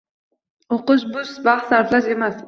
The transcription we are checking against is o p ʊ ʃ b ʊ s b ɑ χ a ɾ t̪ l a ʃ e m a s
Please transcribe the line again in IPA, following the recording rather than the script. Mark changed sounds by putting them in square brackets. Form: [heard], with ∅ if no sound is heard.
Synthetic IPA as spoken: o [q] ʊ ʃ b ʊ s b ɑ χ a ɾ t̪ l a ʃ e m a s